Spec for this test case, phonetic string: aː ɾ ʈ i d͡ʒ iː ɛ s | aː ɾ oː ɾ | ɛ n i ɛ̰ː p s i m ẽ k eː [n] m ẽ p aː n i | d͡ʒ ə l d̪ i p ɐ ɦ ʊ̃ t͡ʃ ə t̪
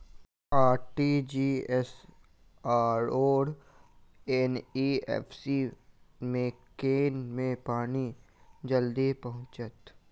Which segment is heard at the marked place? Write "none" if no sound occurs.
n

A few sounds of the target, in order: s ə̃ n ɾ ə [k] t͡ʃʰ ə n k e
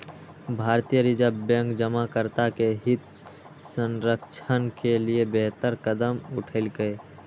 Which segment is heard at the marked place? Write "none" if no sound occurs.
k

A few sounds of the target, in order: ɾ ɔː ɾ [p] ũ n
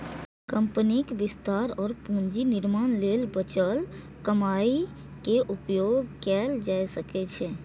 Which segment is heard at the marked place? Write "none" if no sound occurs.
p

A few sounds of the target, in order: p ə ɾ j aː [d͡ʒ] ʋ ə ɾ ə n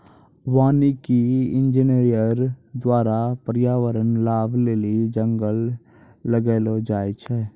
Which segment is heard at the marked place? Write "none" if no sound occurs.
none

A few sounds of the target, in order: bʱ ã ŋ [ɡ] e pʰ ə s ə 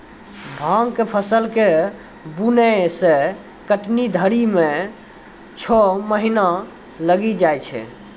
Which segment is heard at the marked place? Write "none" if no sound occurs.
k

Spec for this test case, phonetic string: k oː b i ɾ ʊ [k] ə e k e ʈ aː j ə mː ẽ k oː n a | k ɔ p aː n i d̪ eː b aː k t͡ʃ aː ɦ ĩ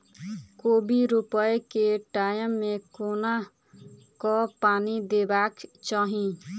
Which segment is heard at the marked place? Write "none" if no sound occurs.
p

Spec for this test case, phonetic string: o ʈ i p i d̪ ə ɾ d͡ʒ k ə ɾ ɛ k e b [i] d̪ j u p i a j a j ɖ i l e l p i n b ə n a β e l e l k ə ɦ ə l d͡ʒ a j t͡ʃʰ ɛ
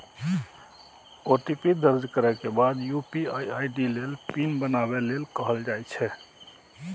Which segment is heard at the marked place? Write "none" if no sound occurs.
a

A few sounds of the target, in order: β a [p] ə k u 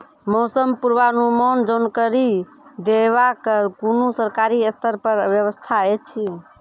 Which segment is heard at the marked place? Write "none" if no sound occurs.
k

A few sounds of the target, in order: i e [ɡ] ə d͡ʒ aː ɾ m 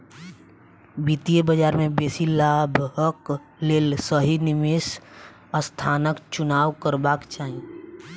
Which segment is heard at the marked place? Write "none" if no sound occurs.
b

